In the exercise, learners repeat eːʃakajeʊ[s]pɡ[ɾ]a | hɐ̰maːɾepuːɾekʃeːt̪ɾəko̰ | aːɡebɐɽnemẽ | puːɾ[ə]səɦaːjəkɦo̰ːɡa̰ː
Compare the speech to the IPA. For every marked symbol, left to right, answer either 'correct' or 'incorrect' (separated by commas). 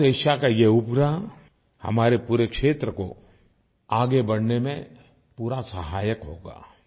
incorrect, correct, incorrect